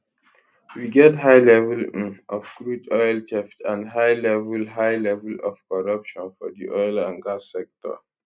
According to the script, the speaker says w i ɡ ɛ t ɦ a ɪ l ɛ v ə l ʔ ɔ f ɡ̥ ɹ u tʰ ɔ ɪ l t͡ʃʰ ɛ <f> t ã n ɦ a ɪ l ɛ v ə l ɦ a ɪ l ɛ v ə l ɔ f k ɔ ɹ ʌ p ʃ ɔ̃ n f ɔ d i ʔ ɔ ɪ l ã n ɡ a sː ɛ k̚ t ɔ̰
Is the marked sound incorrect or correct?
correct